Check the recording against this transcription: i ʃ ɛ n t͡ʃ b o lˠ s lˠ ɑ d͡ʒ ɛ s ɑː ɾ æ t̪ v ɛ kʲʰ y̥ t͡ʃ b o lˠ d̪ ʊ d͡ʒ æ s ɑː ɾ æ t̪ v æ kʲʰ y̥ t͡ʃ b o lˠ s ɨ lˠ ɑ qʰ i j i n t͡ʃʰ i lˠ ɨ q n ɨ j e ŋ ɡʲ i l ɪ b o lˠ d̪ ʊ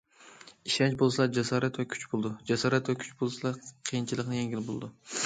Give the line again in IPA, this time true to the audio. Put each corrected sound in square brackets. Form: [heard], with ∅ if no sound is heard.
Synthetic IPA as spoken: i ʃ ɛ n t͡ʃ b o lˠ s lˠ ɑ d͡ʒ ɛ s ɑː ɾ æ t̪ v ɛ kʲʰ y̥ t͡ʃ b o lˠ d̪ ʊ d͡ʒ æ s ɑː ɾ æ t̪ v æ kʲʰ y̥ t͡ʃ b o lˠ s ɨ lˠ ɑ qʰ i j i n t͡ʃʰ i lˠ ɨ q n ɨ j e ŋ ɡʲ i l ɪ b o lˠ d̪ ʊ